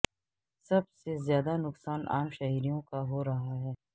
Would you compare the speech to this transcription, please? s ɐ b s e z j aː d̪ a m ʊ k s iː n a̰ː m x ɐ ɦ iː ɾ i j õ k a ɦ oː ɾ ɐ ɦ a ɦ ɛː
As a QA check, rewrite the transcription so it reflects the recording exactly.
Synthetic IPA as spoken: s ɐ b s e z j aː d̪ a n ʊ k s aː n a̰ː m ʃ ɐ ɦ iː ɾ i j õ k a ɦ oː ɾ ɐ ɦ a ɦ ɛː